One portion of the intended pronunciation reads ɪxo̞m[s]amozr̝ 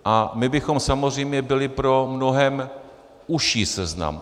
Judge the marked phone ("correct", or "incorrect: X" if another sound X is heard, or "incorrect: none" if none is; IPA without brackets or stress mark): correct